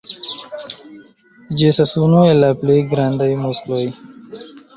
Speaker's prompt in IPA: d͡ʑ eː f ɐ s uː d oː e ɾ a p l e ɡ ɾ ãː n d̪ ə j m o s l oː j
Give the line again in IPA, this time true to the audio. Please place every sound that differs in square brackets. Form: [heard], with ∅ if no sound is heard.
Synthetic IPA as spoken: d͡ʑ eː [s] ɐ s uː [n] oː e [l] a p l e ɡ ɾ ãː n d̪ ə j m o s l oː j